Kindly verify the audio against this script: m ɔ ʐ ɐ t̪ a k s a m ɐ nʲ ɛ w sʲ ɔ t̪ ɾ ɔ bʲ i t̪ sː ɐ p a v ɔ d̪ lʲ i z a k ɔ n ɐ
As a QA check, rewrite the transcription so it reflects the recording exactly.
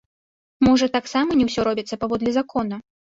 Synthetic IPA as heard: m ɔ ʐ ɐ t̪ a k s a m ɐ nʲ ɛ w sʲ ɔ ɾ ɔ bʲ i t̪ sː ɐ p a v ɔ d̪ lʲ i z a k ɔ n ɐ

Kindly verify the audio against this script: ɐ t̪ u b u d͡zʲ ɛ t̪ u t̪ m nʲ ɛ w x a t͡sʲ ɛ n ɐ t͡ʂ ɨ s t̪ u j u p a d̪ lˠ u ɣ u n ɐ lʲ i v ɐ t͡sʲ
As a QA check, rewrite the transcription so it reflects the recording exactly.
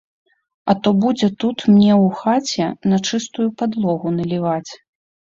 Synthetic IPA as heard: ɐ t̪ ɔ b u d͡zʲ ɛ t̪ u t̪ m nʲ ɛ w x a t͡sʲ ɛ n ɐ t͡ʂ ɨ s t̪ u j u p a d̪ lˠ ɔ ɣ u n ɐ lʲ i v a t͡sʲ

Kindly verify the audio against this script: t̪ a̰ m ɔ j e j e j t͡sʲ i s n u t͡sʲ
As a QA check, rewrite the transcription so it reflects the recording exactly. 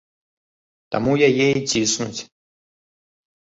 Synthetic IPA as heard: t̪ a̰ m u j a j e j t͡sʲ i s n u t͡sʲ

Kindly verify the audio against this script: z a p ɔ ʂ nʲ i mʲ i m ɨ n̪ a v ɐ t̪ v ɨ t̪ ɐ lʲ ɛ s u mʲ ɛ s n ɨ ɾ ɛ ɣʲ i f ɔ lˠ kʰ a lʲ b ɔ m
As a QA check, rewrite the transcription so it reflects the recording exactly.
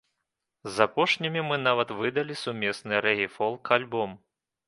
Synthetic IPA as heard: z a p ɔ ʂ nʲ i mʲ i m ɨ n̪ a v ɐ t̪ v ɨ d̪ ɐ lʲ i s u mʲ ɛ s n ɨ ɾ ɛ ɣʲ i f ɔ lˠ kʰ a lʲ b ɔ m

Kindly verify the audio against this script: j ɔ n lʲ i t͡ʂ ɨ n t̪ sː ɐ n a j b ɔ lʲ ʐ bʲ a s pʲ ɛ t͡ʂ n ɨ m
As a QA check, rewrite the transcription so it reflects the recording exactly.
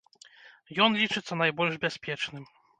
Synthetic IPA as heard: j ɔ n lʲ i t͡ʂ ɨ t̪ sː ɐ n a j b ɔ lʲ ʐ bʲ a s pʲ ɛ t͡ʂ n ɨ m

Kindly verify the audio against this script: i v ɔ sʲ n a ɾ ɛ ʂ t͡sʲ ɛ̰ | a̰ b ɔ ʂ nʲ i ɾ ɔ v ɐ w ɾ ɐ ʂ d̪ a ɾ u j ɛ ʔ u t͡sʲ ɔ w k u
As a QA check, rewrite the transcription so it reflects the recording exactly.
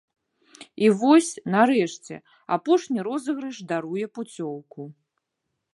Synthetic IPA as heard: i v ɔ sʲ n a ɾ ɛ ʂ t͡sʲ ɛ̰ | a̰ p ɔ ʂ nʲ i ɾ ɔ z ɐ ɣ ɾ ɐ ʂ d̪ a ɾ u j ɛ p u t͡sʲ ɔ w k u

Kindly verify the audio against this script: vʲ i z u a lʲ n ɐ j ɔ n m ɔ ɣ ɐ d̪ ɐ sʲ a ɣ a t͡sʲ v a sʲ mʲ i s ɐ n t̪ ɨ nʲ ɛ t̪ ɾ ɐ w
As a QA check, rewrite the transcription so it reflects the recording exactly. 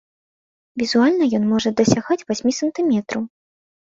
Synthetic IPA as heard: vʲ i z u a lʲ n ɐ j ɔ n m ɔ ʐ ɐ d̪ ɐ sʲ a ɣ a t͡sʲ v a sʲ mʲ i s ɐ n t̪ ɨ mʲ ɛ t̪ ɾ ɐ w

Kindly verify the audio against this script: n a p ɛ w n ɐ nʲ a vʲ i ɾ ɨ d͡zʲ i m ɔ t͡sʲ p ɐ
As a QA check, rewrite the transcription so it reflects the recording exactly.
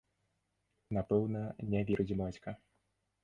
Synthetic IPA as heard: n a p ɛ w n ɐ nʲ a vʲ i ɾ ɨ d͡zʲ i m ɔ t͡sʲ k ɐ

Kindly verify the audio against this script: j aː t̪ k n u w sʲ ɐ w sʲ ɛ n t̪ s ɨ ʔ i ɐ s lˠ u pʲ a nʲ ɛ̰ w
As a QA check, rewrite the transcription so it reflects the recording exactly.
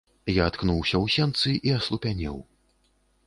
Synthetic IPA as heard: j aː t̪ k n u w sʲ ɐ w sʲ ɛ n t̪ s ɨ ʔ i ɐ s lˠ u pʲ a nʲ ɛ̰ w

